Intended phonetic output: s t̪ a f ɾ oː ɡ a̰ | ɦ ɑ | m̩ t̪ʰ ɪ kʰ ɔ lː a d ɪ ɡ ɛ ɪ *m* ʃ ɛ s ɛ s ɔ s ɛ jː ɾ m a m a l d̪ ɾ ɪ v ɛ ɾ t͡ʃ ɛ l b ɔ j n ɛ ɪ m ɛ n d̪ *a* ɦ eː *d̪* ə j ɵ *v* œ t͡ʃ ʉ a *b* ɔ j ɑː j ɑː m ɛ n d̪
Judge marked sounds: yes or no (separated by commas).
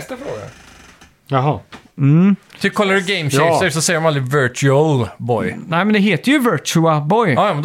yes, no, no, yes, yes